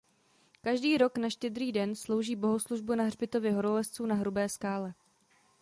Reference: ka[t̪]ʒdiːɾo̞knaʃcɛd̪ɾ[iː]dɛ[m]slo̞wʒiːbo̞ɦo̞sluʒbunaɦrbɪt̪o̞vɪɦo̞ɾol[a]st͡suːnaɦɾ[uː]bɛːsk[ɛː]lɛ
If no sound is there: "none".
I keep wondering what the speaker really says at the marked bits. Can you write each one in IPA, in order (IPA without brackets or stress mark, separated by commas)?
none, iː, n, ɛ, u, aː